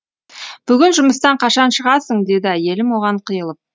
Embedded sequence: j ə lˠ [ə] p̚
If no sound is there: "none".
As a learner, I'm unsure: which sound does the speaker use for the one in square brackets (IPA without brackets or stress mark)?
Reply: ə